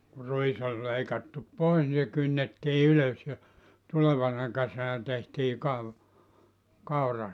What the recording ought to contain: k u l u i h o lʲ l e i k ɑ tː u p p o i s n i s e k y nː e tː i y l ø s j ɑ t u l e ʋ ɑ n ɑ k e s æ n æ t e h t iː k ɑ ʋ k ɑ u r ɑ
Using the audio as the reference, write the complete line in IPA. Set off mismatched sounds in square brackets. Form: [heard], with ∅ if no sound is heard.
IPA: k u [r] u i [s] o lʲ l e i k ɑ tː u p p o i s n i s e k y nː e tː [iː] y l ø s j ɑ t u l e ʋ ɑ n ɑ k e s æ n æ t e h t iː k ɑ ʋ k ɑ u r ɑ